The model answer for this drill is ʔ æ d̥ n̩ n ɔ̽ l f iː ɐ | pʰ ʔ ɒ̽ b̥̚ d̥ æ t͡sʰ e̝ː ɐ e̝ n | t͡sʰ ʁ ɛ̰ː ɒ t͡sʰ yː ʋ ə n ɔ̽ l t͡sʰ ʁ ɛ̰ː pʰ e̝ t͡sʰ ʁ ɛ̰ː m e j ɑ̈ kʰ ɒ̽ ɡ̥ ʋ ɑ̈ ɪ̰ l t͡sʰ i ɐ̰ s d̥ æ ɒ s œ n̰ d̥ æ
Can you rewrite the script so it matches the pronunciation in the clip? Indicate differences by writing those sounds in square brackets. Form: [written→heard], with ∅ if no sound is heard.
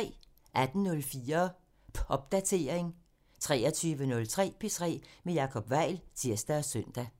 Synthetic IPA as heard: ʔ æ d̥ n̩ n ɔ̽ l f iː ɐ | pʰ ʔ ɒ̽ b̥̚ d̥ æ t͡sʰ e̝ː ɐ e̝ [n→ŋ] | t͡sʰ ʁ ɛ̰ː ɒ t͡sʰ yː ʋ ə n ɔ̽ l t͡sʰ ʁ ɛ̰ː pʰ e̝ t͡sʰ ʁ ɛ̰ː m e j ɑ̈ kʰ ɒ̽ [ɡ̥→b̥] ʋ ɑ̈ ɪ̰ l t͡sʰ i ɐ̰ s d̥ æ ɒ s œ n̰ d̥ æ

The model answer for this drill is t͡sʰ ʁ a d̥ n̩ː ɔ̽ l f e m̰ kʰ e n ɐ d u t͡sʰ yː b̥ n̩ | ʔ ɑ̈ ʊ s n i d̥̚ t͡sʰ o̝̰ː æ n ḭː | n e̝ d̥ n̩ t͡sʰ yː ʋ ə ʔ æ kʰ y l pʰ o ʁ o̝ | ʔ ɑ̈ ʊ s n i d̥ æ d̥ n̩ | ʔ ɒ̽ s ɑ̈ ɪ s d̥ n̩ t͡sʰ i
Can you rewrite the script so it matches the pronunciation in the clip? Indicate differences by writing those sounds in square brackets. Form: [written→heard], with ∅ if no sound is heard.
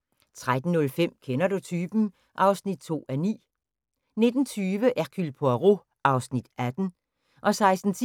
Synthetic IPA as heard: t͡sʰ ʁ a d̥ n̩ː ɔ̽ l f e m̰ kʰ e n ɐ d u t͡sʰ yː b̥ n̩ | ʔ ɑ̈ ʊ s n i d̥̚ t͡sʰ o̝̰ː æ n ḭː | n e̝ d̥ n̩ t͡sʰ yː ʋ ə ʔ æ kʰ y l pʰ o ʁ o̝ | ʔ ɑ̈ ʊ s n i d̥ æ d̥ n̩ | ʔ ɒ̽ s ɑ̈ ɪ s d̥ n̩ t͡sʰ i

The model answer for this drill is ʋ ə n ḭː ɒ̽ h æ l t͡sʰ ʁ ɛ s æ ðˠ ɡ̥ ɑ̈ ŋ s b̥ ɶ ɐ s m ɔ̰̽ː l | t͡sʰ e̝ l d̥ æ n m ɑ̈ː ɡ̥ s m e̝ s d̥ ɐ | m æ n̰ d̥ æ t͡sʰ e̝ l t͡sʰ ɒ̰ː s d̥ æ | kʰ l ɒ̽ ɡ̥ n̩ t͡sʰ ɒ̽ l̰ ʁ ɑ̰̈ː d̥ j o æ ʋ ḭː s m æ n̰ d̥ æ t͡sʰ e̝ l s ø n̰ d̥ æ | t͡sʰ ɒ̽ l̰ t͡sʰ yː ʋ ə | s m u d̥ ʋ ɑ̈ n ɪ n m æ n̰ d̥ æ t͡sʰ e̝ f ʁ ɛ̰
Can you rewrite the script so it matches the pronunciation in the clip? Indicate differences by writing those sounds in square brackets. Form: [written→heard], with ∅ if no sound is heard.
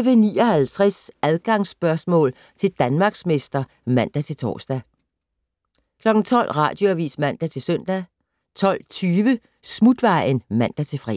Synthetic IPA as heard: ʋ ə n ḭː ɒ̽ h æ l t͡sʰ ʁ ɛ s æ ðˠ ɡ̥ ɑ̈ ŋ s b̥ ɶ ɐ s m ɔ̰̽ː l | t͡sʰ e̝ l d̥ æ n m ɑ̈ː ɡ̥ s m e̝ s d̥ ɐ | m æ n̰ d̥ æ t͡sʰ e̝ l t͡sʰ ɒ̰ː s d̥ æ | kʰ l ɒ̽ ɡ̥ n̩ t͡sʰ ɒ̽ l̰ ʁ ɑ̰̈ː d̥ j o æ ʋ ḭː s m æ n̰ d̥ æ t͡sʰ e̝ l s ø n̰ d̥ æ | t͡sʰ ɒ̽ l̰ t͡sʰ yː ʋ ə | s m u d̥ ʋ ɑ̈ [n→∅] ɪ n m æ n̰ d̥ æ t͡sʰ e̝ f ʁ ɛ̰

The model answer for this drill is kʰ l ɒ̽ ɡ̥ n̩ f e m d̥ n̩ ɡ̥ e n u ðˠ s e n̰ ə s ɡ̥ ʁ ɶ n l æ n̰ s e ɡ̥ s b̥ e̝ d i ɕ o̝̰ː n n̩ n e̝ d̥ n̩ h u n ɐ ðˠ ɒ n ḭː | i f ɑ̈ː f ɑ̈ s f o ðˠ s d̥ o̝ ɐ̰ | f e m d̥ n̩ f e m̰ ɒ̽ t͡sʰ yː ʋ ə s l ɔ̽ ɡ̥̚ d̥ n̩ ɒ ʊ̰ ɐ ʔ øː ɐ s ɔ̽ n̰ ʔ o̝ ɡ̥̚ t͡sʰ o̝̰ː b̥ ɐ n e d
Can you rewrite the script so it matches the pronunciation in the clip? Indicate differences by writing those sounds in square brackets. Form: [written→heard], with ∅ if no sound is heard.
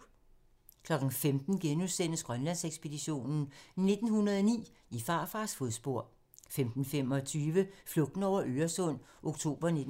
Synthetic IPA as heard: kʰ l ɒ̽ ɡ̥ n̩ f e m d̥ n̩ ɡ̥ e n u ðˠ s e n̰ ə s ɡ̥ ʁ ɶ n l æ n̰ s e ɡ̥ s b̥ e̝ d i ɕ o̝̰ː n n̩ n e̝ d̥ n̩ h u n ɐ ðˠ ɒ n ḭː | i f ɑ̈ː f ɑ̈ s f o ðˠ s [d̥→b̥] o̝ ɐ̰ | f e m d̥ n̩ f e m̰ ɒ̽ t͡sʰ yː ʋ ə [s→f] l ɔ̽ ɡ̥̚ d̥ n̩ ɒ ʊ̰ ɐ ʔ øː ɐ s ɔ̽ n̰ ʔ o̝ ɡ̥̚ t͡sʰ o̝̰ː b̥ ɐ n e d

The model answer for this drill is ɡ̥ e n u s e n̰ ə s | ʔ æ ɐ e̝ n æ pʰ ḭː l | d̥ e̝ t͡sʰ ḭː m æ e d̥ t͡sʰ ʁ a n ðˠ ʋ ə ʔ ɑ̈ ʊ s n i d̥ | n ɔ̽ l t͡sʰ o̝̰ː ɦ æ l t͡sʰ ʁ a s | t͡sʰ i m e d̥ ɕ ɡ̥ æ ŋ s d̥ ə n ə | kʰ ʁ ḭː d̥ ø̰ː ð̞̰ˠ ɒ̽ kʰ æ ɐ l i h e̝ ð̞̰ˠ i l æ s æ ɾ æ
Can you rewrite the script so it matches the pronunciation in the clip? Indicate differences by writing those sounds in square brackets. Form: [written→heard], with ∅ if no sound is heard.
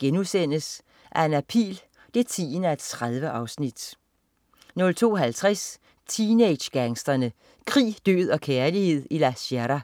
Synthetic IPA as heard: ɡ̥ e n u s e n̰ ə s | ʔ æ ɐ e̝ n æ pʰ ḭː l | d̥ e̝ t͡sʰ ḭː [m→n] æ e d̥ t͡sʰ ʁ a [n→∅] ðˠ ʋ ə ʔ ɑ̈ ʊ s n i d̥ | n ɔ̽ l t͡sʰ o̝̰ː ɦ æ l t͡sʰ ʁ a s | t͡sʰ i [m→n] e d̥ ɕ ɡ̥ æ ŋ s d̥ [ə→ɐ] n ə | kʰ ʁ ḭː d̥ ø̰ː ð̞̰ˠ ɒ̽ kʰ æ ɐ l i h e̝ ð̞̰ˠ i l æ s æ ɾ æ

